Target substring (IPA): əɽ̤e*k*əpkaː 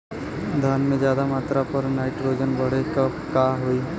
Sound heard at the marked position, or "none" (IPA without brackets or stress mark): k